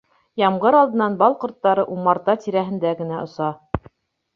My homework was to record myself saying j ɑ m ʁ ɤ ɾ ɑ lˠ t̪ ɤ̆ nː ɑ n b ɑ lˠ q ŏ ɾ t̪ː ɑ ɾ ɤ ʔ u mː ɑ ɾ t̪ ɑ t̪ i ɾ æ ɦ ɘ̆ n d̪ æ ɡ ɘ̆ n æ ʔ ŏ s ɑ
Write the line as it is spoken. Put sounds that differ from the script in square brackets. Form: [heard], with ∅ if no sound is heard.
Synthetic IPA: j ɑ m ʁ ɤ ɾ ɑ lˠ [d̪] ɤ̆ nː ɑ n b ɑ lˠ q ŏ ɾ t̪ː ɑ ɾ ɤ ʔ u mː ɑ ɾ t̪ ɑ t̪ i ɾ æ ɦ ɘ̆ n d̪ æ ɡ ɘ̆ n æ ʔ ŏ s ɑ